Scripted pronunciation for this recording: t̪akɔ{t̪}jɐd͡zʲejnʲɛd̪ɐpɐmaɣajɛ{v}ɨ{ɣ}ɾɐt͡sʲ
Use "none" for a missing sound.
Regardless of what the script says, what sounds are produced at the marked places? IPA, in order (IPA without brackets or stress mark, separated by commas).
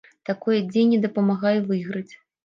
none, v, ɣ